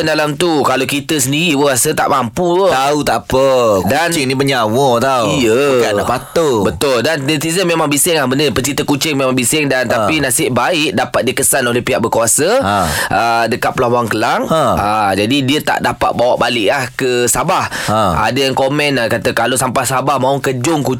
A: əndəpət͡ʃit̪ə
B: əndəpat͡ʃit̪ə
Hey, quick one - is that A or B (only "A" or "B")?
A